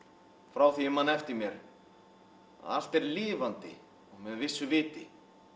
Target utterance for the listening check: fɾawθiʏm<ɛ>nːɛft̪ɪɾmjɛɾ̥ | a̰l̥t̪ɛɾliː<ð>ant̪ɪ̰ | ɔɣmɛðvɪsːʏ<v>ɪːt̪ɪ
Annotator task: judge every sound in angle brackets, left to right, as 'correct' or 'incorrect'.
incorrect: a, incorrect: v, correct

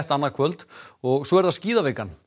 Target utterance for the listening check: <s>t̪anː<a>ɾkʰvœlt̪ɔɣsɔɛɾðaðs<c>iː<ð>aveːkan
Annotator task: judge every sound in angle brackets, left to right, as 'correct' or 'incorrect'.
incorrect: h, correct, correct, correct

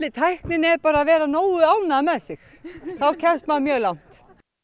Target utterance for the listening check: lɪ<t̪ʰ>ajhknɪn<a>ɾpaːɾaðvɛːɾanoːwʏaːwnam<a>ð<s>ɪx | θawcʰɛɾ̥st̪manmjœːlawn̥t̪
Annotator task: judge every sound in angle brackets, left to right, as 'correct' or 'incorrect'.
correct, incorrect: ɛ, incorrect: ɛ, correct

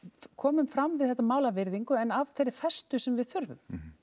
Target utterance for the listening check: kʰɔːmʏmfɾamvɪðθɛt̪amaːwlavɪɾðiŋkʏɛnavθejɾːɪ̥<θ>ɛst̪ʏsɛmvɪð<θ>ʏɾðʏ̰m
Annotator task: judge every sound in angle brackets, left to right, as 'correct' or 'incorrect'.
incorrect: f, correct

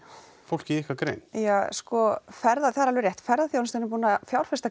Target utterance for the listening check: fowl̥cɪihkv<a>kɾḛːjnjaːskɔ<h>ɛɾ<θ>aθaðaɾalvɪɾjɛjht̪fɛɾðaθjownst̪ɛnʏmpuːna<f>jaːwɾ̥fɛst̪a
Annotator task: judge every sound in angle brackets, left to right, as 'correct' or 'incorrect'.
correct, incorrect: f, incorrect: ð, correct

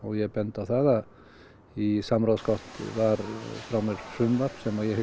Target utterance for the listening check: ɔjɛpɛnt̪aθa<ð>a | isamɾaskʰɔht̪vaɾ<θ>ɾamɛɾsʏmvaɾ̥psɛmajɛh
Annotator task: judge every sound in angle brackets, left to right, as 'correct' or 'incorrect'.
correct, incorrect: f

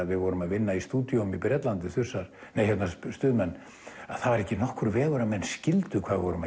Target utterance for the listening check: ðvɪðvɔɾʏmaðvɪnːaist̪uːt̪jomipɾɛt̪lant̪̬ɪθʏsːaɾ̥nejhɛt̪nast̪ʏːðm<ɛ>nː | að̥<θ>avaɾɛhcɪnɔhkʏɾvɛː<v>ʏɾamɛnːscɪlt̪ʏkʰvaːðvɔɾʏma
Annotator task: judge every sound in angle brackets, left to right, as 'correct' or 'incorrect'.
correct, correct, incorrect: ɣ

